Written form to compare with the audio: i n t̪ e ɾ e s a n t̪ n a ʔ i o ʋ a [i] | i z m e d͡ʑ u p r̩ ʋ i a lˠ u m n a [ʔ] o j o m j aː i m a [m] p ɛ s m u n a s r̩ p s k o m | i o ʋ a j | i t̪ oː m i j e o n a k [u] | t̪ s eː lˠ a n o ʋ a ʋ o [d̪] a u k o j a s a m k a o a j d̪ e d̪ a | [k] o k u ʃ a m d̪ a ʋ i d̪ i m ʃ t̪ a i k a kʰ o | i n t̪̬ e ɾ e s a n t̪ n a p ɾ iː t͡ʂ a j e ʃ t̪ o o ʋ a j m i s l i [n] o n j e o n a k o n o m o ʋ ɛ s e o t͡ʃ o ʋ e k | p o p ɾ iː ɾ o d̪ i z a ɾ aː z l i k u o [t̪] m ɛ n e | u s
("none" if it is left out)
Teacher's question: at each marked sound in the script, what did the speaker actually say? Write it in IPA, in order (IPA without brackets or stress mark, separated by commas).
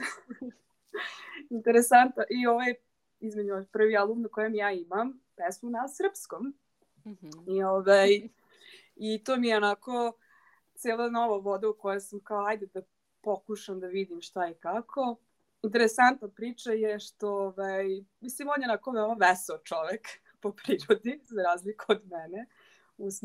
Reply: j, k, m, o, d̪, p, m, d̪